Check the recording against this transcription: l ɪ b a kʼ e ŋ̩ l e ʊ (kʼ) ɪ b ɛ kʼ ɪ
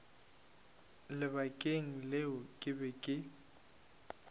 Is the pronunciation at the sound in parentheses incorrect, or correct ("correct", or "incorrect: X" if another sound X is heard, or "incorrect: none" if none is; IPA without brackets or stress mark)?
correct